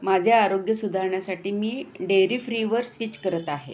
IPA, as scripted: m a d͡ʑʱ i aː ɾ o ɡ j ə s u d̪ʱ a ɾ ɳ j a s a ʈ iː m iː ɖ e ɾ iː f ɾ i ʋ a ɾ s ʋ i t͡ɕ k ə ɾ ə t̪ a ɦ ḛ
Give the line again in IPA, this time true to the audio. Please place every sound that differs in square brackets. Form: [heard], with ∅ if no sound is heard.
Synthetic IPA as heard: m a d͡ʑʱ [j] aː ɾ o ɡ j ə s u d̪ʱ a ɾ ɳ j a s a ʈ iː m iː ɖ e ɾ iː f ɾ i ʋ [ə] ɾ s ʋ i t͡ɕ k ə ɾ ə t̪ a ɦ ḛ